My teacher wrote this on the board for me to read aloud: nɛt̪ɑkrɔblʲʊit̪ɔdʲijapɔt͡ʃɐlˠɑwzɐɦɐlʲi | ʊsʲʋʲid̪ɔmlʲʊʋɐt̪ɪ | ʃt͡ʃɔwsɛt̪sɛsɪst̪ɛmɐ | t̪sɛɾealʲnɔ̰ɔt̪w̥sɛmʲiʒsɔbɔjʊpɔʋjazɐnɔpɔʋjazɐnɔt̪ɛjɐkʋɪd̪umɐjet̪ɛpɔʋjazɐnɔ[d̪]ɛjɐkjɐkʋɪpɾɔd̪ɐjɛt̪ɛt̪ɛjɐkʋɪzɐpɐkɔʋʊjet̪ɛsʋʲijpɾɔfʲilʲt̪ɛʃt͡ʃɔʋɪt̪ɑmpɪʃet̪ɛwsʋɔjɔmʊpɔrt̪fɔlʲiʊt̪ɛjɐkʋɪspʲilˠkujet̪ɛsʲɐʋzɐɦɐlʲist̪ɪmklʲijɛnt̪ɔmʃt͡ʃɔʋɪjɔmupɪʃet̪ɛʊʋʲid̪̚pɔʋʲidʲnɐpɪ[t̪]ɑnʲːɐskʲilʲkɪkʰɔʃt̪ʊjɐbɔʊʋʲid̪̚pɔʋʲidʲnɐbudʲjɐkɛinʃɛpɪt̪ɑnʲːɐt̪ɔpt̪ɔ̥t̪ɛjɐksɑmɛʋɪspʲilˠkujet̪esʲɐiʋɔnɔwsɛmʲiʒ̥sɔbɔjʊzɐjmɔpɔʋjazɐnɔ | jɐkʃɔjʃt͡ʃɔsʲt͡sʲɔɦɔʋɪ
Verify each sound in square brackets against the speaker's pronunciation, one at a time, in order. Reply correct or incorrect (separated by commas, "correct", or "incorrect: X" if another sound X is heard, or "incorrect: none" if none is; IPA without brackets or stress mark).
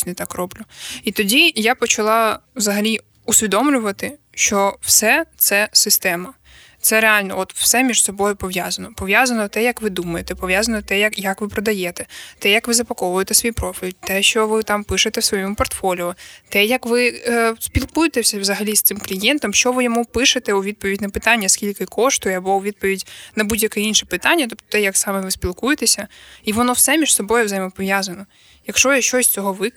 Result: incorrect: t̪, correct